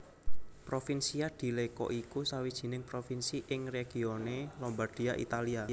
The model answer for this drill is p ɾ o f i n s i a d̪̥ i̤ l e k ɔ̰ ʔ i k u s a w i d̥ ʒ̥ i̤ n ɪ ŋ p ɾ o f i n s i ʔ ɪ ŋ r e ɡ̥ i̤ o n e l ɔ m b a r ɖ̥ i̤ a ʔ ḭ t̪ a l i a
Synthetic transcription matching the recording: p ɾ o f i n s i a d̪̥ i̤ l e k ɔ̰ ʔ i k u s a w i d̥ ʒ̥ i̤ n ɪ ŋ p ɾ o f i n s i ʔ ɪ ŋ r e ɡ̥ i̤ o n e l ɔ m b a r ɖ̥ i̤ a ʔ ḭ t̪ a l i a